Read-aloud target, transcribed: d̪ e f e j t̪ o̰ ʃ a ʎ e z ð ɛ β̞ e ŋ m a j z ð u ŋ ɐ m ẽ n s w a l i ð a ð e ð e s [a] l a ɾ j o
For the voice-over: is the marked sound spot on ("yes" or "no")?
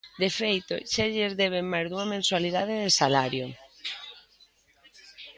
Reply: yes